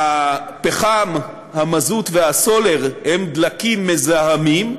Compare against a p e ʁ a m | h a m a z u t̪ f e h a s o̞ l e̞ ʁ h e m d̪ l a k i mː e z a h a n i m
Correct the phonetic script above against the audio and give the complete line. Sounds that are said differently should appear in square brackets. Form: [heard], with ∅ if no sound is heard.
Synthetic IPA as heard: a p e [χ] a m | h a m a z u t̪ [v] e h a s o̞ l e̞ ʁ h e m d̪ l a k i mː e z a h a [m] i m